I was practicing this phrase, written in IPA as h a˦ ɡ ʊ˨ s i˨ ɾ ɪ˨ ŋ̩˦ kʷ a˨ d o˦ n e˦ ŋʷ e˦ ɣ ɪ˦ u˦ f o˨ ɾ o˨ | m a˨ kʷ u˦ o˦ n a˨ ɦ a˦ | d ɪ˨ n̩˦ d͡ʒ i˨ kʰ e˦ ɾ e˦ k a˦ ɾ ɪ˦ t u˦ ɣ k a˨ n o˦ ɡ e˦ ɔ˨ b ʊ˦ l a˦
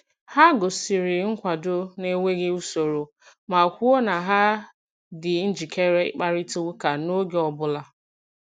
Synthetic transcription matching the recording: h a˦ ɡ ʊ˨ s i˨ ɾ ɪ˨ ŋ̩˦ kʷ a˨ d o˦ n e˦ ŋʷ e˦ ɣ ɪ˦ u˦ s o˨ ɾ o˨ | m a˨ kʷ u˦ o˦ n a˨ ɦ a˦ | d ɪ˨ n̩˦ d͡ʒ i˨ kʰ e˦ ɾ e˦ k͡p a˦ ɾ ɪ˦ t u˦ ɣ k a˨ n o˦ ɡ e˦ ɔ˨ b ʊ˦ l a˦